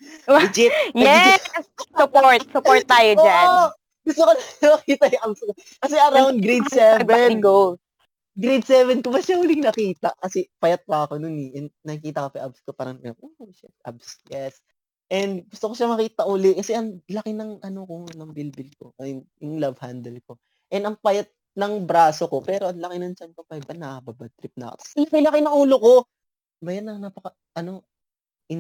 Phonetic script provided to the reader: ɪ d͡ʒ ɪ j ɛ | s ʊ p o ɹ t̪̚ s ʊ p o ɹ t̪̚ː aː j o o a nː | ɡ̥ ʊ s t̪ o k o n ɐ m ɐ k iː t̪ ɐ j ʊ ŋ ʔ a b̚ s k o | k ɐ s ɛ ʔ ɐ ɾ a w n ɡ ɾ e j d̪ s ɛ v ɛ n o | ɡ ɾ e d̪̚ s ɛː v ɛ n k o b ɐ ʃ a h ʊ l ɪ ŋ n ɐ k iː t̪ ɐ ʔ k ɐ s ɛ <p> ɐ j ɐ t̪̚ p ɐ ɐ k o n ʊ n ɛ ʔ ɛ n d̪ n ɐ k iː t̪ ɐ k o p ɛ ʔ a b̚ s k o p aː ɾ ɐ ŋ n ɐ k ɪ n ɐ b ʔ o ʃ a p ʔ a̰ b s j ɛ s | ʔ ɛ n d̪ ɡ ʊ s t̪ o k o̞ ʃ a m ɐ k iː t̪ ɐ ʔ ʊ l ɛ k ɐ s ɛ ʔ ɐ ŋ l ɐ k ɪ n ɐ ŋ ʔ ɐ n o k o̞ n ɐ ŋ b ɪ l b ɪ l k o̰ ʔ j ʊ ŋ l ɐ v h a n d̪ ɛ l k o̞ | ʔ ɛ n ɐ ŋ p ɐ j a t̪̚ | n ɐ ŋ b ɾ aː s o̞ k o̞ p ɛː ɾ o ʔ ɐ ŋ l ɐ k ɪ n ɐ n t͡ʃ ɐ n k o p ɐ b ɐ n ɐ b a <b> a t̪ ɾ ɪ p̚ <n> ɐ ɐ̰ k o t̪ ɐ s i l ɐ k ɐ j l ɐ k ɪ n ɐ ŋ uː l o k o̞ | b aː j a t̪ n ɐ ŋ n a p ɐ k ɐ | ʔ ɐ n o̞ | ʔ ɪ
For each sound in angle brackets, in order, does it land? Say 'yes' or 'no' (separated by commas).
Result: yes, yes, yes